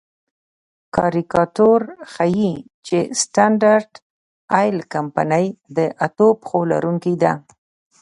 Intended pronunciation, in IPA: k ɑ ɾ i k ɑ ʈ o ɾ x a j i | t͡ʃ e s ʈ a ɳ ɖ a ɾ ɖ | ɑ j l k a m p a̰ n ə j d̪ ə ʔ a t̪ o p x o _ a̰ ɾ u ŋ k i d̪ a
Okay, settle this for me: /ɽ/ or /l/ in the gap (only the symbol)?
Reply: l